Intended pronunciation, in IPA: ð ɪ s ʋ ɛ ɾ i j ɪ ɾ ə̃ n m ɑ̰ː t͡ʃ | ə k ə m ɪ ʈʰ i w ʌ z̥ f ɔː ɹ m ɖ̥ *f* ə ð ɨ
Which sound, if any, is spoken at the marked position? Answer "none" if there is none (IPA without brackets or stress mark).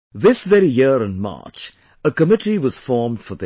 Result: f